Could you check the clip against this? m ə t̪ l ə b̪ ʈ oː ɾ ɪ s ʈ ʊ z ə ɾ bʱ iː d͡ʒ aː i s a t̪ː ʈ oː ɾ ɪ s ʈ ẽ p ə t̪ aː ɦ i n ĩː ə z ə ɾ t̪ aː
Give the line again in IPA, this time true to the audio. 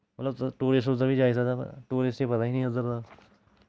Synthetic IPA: m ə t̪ l ə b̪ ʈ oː ɾ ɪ s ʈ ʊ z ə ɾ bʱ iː d͡ʒ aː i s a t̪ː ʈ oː ɾ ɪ s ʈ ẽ p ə t̪ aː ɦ i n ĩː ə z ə ɾ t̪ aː